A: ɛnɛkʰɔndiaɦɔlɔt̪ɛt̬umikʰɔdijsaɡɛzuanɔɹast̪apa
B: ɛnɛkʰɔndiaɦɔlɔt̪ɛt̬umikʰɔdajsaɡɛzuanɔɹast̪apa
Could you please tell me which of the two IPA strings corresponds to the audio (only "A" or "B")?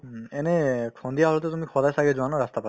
B